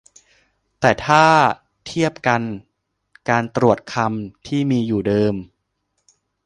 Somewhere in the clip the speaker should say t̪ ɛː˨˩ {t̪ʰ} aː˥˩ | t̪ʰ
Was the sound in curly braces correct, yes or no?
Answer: yes